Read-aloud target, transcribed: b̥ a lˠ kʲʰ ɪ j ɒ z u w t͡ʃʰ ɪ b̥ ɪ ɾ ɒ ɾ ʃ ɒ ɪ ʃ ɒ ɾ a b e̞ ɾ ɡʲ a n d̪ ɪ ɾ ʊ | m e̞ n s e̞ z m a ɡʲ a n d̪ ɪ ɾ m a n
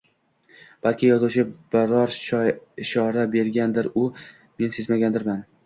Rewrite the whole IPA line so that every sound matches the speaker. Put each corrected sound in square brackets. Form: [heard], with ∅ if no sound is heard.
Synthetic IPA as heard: b̥ a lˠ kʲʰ ɪ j ɒ z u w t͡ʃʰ ɪ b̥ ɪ ɾ ɒ ɾ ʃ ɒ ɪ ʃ ɒ ɾ a b e̞ ɾ ɡʲ a n d̪ ɪ ɾ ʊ | m e̞ n s e̞ z m a ɡʲ a n d̪ ɪ ɾ m a n